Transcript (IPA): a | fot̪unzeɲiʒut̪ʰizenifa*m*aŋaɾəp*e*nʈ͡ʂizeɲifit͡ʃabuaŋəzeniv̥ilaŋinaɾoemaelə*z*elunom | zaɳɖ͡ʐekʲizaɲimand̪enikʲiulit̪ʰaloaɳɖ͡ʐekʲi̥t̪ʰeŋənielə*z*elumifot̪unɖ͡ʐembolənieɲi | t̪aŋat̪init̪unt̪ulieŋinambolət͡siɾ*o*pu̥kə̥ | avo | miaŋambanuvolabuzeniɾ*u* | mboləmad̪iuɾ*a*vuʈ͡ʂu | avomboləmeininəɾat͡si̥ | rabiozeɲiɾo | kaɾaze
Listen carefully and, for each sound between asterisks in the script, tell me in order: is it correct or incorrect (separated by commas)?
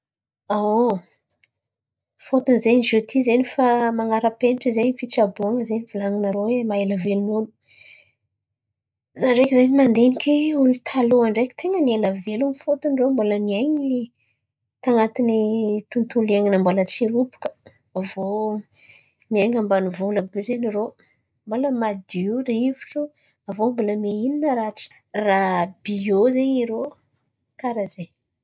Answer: correct, correct, incorrect, incorrect, incorrect, incorrect, incorrect